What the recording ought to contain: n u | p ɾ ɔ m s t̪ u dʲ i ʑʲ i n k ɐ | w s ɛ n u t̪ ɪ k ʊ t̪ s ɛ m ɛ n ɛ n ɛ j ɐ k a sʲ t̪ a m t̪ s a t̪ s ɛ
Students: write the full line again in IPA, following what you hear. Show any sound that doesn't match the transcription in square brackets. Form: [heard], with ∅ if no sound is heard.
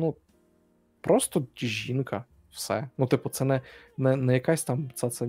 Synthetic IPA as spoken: n u | p ɾ ɔ [∅] s t̪ [ɔ] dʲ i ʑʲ i n k ɐ | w s ɛ n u t̪ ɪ [p] ʊ t̪ s ɛ [n] ɛ n ɛ n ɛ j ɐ k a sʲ t̪ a m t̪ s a t̪ s ɛ